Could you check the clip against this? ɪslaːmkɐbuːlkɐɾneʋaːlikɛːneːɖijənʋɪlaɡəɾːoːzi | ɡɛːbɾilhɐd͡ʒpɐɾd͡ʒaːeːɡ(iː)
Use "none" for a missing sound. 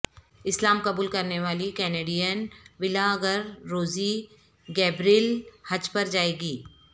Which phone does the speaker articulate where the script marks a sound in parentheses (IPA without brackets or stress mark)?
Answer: iː